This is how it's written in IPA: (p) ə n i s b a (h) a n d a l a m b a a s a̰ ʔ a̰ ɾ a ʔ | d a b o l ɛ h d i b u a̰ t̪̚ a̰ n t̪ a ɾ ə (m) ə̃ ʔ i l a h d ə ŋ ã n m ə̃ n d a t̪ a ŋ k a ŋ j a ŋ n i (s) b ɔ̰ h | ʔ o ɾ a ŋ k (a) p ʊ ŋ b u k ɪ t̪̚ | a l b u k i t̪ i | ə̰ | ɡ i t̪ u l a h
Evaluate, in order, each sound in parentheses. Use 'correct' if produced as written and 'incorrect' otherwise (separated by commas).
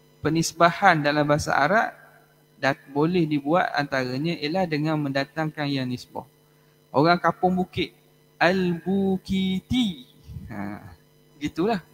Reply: correct, correct, incorrect, correct, correct